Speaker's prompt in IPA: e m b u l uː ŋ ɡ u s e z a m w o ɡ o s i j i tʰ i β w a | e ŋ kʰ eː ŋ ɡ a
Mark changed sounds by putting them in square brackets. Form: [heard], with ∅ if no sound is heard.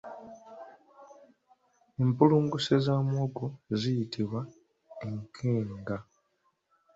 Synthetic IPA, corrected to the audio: e m [p] u l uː ŋ ɡ u s e z a m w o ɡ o [z] i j i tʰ i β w a | e ŋ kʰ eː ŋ ɡ a